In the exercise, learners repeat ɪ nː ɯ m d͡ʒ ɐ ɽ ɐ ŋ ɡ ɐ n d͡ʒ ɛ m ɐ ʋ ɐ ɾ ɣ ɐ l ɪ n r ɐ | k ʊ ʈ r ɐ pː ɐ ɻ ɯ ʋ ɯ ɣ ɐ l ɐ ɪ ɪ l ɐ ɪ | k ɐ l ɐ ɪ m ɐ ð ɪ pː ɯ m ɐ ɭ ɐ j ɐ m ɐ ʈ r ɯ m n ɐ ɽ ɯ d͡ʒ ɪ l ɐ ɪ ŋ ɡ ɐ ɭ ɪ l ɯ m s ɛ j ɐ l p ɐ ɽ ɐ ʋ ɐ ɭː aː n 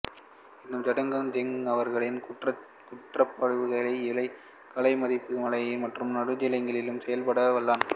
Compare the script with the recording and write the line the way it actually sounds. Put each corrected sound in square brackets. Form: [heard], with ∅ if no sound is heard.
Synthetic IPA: ɪ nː ɯ m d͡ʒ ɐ ɽ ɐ ŋ ɡ ɐ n d͡ʒ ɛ [ŋ] ɐ ʋ ɐ ɾ ɣ ɐ [ɭ] ɪ n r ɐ | k ʊ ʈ r ɐ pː ɐ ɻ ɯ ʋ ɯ ɣ ɐ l ɐ ɪ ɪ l ɐ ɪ | k ɐ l ɐ ɪ m ɐ ð ɪ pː ɯ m ɐ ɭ ɐ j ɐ m ɐ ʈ r ɯ m n ɐ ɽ ɯ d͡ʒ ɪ l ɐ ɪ ŋ ɡ ɐ ɭ ɪ l ɯ m s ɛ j ɐ l p ɐ ɽ ɐ ʋ ɐ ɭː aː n